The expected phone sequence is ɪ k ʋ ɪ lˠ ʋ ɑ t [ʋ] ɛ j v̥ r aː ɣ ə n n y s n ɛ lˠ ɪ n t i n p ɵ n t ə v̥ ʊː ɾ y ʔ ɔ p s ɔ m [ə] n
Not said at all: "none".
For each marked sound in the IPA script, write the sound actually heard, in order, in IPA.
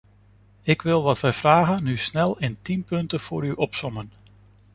ʋ, ə

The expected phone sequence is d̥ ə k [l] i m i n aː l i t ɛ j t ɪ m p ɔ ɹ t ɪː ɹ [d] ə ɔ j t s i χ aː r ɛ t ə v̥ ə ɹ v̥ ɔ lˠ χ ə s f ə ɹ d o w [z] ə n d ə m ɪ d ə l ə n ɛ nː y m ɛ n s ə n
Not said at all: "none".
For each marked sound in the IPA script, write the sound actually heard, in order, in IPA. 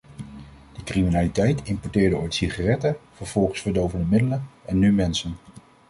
r, d, v

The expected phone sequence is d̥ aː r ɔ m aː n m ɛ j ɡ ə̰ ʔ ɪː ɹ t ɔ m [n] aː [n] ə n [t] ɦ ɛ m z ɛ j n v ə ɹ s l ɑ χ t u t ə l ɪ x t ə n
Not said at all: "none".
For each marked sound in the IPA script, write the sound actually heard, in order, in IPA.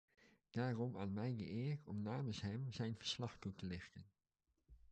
n, m, s

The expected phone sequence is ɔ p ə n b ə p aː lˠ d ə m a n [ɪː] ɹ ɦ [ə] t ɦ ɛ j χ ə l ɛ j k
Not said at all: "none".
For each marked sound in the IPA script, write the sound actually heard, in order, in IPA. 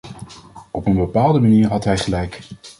iː, ɑ

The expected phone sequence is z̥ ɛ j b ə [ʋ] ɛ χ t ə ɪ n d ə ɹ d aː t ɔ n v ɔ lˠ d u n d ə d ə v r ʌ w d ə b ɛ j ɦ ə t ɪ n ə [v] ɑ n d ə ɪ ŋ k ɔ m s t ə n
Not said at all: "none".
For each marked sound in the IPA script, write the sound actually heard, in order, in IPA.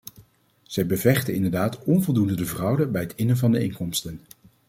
v, v

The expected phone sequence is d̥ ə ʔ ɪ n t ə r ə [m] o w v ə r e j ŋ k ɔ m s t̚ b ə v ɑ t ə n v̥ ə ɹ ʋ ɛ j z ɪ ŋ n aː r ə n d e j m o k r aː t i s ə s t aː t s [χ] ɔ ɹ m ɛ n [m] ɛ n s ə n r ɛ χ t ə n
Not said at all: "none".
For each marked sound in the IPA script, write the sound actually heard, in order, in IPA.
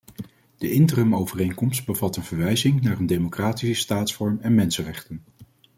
m, f, m

